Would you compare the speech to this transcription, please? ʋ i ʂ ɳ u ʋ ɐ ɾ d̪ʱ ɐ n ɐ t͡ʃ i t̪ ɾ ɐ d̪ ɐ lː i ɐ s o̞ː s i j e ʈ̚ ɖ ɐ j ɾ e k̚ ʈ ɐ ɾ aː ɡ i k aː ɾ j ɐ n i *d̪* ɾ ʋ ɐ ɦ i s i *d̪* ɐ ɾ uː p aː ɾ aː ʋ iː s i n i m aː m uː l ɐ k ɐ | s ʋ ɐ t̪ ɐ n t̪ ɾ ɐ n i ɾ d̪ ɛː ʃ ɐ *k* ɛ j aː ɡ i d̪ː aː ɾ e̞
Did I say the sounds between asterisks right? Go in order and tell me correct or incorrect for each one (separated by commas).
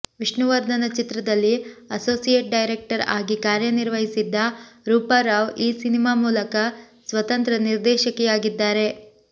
incorrect, incorrect, correct